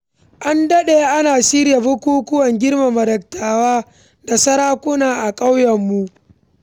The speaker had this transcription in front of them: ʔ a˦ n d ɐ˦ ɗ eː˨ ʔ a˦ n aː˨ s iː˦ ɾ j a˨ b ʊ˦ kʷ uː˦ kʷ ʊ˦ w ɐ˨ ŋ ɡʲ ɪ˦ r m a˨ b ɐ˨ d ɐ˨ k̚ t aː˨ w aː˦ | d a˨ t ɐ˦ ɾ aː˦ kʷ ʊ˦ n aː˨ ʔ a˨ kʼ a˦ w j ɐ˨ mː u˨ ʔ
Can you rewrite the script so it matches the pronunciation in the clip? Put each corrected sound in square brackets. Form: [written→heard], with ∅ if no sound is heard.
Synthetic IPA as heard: ʔ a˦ n d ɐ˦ ɗ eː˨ ʔ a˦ n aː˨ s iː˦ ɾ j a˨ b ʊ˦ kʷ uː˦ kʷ ʊ˦ w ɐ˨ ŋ ɡʲ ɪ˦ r m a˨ [b→m] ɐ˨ d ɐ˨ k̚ t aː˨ w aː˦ | d a˨ [t→s] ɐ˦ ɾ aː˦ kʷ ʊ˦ n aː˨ ʔ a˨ kʼ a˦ w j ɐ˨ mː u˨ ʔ